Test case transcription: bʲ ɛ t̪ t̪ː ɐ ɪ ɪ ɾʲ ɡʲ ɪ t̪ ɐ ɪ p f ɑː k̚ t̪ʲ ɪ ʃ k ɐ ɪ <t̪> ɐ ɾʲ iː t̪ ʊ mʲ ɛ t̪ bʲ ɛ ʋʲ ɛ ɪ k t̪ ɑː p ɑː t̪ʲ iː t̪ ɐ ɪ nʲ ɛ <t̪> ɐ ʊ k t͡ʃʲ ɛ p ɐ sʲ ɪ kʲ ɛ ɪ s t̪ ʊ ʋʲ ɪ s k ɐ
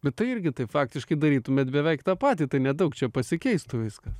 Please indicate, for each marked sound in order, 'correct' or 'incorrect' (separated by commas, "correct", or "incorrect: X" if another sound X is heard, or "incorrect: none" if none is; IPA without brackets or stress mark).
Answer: incorrect: d̪, incorrect: d̪